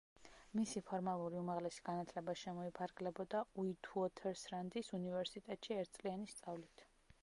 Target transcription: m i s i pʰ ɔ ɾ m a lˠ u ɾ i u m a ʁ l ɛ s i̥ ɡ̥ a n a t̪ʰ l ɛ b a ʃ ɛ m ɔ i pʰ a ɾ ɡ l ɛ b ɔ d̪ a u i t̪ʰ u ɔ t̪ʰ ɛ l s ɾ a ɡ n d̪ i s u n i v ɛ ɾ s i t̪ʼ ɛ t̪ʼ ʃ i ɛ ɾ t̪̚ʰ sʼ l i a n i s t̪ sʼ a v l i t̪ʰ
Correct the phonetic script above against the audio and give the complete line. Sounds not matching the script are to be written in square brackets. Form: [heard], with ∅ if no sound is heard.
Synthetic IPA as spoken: m i s i pʰ ɔ ɾ m a lˠ u ɾ i u m a ʁ l ɛ s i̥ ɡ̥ a n a t̪ʰ l ɛ b a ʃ ɛ m ɔ i pʰ a ɾ ɡ l ɛ b ɔ d̪ a u i t̪ʰ u ɔ t̪ʰ ɛ [ɾ] s ɾ a [∅] n d̪ i s u n i v ɛ ɾ s i t̪ʼ ɛ t̪ʼ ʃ i ɛ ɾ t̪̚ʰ sʼ l i a n i s t̪ sʼ a v l i t̪ʰ